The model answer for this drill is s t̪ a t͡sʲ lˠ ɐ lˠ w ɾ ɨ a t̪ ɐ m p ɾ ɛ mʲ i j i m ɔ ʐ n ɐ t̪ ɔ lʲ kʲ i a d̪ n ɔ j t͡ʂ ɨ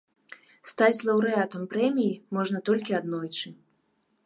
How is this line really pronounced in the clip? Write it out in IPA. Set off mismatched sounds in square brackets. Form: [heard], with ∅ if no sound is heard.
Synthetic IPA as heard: s t̪ a t͡sʲ lˠ ɐ [∅] w ɾ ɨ a t̪ ɐ m p ɾ ɛ mʲ i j i m ɔ ʐ n ɐ t̪ ɔ lʲ kʲ i a d̪ n ɔ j t͡ʂ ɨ